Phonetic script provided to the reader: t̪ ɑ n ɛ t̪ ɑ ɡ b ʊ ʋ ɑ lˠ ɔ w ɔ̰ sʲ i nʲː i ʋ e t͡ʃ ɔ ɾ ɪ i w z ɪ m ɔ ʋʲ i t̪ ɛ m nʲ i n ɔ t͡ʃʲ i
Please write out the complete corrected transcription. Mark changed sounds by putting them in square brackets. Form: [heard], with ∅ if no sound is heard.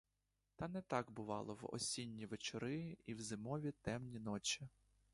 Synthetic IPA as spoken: t̪ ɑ n ɛ t̪ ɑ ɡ b ʊ ʋ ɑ lˠ ɔ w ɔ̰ sʲ i nʲː i ʋ e t͡ʃ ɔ ɾ ɪ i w z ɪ m ɔ ʋʲ i t̪ ɛ m nʲ i n ɔ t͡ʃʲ i